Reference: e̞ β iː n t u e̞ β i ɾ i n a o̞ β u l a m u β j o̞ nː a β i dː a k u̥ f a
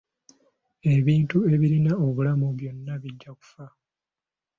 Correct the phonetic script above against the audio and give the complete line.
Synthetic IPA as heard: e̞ β iː n t u e̞ β i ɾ i n a o̞ β u l a m u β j o̞ nː a β i ɟː a k u̥ f a

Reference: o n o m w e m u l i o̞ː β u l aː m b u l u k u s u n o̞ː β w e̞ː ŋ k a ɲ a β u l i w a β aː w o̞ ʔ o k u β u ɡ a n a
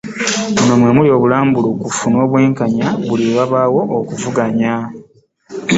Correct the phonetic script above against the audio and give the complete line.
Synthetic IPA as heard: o n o m w e m u l i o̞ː β u l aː m b u l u k u f u n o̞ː β w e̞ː ŋ k a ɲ a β u l i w a β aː w o̞ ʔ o k u v u ɡ a ɲ a

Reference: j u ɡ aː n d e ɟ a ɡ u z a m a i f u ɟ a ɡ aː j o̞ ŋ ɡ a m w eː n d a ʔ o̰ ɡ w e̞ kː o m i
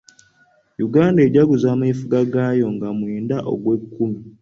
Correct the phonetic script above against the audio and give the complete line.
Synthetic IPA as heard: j u ɡ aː n d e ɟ a ɡ u z a m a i f u ɡ a ɡ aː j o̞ ŋ ɡ a m w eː n d a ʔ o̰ ɡ w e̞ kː u m i

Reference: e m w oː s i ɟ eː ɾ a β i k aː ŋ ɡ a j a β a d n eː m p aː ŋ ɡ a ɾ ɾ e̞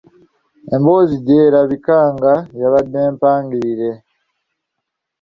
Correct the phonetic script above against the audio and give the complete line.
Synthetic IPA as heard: e m b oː z i ɟ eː ɾ a β i k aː ŋ ɡ a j a β a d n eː m p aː ŋ ɡ i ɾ ɾ e̞

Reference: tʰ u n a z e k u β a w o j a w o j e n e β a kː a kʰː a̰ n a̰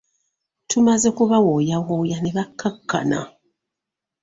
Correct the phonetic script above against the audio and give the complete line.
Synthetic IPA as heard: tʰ u m a z e k u β a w o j a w o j a n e β a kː a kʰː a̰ n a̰

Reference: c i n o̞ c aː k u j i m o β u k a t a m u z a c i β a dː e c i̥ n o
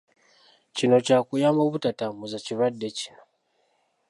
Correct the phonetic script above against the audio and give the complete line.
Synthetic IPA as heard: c i n o̞ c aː k u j a m o β u t a t a m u z a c i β a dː e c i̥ n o

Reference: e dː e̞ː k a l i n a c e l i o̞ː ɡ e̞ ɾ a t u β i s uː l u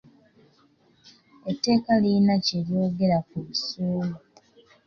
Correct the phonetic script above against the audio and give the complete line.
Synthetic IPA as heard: e tː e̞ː k a l i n a c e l j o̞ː ɡ e̞ ɾ a k u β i s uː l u

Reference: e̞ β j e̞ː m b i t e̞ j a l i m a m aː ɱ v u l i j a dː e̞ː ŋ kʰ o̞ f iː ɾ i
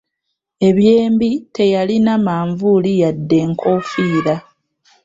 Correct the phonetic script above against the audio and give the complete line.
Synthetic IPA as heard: e̞ β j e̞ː m b i t e̞ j a l i n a m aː ɱ v u l i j a dː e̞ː ŋ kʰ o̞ f iː ɾ a

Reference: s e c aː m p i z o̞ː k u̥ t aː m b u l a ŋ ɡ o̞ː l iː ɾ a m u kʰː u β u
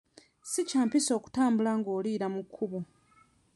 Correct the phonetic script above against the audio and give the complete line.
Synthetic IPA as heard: s i c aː m p i s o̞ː k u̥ t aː m b u l a ŋ ɡ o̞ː l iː ɾ a m u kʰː u β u

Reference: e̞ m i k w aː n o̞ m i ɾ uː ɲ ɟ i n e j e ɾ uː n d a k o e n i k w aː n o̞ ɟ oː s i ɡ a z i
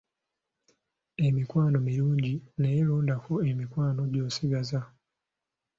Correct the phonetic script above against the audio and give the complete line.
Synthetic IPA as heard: e̞ m i k w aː n o̞ m i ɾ uː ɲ ɟ i n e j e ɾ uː n d a k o e m i k w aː n o̞ ɟ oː s i ɡ a z a

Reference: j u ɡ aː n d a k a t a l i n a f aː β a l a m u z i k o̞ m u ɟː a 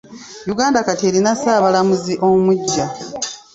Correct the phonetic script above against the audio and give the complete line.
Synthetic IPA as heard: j u ɡ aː n d a k a t e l i n a s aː β a l a m u z i ʔ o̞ m u ɟː a

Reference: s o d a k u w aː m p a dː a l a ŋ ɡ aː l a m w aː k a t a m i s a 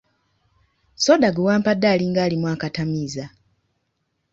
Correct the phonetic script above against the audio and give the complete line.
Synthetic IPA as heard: s o d a ɡ u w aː m p a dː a l i ŋ ɡ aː l i m w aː k a t a m i z a

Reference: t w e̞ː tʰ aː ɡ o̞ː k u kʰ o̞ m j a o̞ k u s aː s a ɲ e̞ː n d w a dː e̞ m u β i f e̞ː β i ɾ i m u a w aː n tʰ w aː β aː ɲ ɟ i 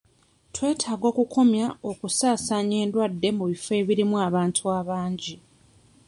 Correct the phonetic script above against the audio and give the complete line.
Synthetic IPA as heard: t w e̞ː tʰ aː ɡ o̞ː k u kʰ o̞ m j a o̞ k u s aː s a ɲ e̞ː n d w a dː e̞ m u β i f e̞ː β i ɾ i m u a β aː n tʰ u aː β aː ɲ ɟ i

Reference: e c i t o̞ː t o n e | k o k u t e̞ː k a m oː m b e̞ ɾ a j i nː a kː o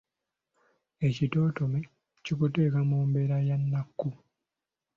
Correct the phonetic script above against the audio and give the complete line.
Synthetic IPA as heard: e c i t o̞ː t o m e | c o k u t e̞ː k a m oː m b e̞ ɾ a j a nː a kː u

